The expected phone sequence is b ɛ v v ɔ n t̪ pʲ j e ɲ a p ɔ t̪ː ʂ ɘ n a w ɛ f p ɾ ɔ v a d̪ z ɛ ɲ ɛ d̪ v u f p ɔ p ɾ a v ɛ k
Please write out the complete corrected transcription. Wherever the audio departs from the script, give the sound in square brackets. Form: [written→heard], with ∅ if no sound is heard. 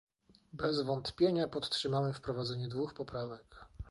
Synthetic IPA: b ɛ [v→z] v ɔ n t̪ pʲ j e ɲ a p ɔ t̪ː ʂ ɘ [n→m] a w ɛ f p ɾ ɔ v a d̪ z ɛ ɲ ɛ d̪ v u [f→x] p ɔ p ɾ a v ɛ k